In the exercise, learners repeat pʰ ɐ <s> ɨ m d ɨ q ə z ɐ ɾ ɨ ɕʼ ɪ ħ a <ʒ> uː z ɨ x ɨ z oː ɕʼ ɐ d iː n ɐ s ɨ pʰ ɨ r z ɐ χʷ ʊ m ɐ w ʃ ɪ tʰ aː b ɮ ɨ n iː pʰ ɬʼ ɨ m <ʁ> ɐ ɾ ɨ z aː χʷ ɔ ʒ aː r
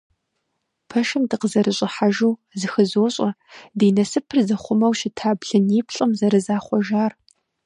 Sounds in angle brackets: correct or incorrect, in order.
incorrect: ʃ, correct, incorrect: z

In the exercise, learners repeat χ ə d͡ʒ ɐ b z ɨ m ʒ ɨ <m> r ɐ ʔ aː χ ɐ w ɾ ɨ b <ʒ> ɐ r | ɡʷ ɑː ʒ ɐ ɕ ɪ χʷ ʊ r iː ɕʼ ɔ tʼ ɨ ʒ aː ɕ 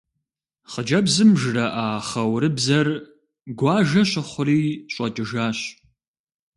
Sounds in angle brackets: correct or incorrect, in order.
incorrect: none, incorrect: z

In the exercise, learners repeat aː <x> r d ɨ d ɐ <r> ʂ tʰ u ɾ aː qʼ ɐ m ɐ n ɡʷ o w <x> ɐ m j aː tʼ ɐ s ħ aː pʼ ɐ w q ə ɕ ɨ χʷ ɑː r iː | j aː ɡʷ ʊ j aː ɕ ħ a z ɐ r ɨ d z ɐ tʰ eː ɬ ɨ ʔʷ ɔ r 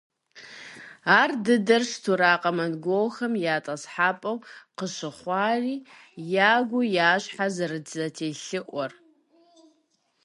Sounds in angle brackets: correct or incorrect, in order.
incorrect: none, correct, correct

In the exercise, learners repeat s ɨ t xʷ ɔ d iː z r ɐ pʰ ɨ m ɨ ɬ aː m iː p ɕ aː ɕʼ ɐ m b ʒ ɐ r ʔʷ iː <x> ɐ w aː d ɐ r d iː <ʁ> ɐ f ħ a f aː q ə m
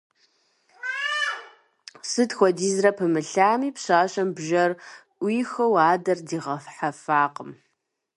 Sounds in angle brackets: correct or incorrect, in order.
correct, correct

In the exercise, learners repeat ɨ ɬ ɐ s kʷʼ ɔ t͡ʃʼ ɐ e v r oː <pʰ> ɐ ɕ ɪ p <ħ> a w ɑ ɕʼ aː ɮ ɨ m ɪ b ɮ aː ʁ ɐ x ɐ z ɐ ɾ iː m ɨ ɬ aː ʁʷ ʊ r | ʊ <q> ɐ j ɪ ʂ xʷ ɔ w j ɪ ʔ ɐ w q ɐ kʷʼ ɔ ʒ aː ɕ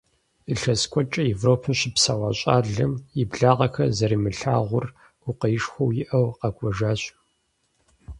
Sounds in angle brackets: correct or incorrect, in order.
correct, incorrect: s, correct

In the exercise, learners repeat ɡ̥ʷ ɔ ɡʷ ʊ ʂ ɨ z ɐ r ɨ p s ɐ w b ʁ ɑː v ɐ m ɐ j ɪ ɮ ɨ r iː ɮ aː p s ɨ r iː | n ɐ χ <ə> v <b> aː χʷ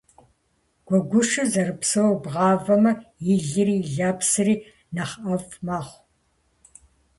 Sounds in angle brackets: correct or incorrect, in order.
incorrect: ɐ, incorrect: m

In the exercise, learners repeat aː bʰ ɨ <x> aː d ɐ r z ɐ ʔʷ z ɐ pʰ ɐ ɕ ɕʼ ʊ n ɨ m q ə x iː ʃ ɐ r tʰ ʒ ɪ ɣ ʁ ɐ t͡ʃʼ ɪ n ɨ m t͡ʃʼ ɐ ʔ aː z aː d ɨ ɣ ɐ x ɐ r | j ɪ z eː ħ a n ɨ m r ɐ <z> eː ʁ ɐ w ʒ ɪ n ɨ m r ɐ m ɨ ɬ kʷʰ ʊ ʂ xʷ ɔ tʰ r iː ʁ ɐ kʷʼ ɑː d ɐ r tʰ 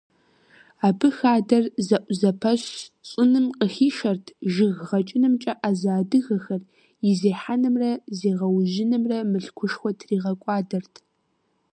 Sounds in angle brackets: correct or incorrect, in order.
correct, correct

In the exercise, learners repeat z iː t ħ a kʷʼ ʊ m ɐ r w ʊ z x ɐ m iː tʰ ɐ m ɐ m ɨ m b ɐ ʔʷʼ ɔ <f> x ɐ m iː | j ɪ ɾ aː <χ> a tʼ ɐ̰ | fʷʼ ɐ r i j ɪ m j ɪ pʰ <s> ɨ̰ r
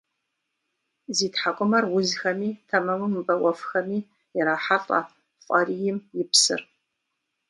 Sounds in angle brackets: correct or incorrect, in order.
correct, incorrect: ħ, correct

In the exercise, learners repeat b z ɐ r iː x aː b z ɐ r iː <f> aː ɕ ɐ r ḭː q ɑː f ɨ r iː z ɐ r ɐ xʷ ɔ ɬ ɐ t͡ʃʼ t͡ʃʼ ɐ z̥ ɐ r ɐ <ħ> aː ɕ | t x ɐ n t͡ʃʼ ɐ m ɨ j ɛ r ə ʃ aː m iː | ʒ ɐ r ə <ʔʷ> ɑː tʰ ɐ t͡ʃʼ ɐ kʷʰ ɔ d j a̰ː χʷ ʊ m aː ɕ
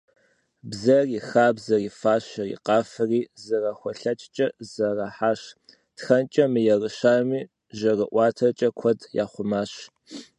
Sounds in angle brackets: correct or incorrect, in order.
correct, correct, correct

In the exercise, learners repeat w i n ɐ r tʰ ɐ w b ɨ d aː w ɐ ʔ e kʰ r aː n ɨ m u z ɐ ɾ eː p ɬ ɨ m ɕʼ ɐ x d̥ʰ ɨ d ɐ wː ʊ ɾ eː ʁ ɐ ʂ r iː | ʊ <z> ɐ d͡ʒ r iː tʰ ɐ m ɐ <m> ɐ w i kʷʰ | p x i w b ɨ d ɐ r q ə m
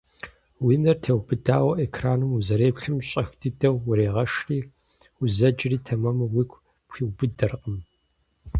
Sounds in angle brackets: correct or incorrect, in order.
correct, correct

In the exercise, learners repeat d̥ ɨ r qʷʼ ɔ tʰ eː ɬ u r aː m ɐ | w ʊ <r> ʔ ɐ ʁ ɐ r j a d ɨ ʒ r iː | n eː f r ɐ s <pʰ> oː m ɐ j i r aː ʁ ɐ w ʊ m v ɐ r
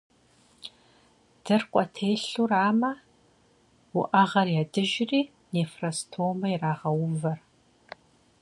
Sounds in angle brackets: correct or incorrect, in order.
incorrect: none, incorrect: tʰ

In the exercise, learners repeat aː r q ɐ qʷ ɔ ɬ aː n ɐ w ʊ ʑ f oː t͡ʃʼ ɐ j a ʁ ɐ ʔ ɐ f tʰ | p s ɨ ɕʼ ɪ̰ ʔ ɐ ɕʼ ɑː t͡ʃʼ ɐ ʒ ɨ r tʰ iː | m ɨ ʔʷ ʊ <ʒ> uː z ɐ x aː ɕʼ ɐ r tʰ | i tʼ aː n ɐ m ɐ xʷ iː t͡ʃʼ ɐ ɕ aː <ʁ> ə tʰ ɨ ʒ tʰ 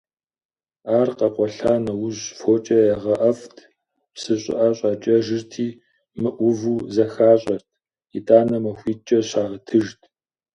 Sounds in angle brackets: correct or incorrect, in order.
incorrect: v, correct

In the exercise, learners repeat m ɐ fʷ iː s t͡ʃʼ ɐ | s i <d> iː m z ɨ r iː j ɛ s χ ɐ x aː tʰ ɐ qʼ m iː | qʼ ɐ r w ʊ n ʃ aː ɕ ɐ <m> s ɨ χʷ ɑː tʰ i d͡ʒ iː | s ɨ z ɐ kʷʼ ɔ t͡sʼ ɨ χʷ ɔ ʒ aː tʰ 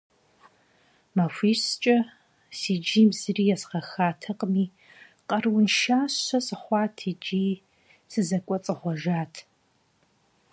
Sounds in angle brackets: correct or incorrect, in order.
incorrect: d͡ʒ, incorrect: none

